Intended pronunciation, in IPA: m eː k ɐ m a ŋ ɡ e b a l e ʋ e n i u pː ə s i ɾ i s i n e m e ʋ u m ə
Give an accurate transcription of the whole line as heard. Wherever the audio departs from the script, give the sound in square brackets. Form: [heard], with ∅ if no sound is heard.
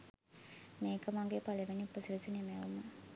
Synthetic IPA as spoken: m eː k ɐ m a ŋ ɡ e [p] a l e ʋ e n i u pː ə s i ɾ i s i n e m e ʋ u m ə